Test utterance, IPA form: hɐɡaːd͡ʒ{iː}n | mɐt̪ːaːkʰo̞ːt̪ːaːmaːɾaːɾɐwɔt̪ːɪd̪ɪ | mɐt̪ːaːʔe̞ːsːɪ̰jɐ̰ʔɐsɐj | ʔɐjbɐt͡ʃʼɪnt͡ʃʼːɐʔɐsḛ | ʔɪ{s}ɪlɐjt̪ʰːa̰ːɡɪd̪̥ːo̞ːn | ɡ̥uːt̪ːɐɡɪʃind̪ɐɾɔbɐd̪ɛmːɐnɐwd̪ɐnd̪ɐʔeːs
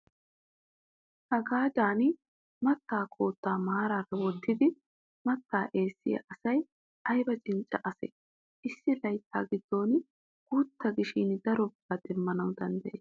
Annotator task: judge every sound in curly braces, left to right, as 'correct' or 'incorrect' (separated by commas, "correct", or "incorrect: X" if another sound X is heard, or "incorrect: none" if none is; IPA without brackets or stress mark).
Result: incorrect: aː, incorrect: sː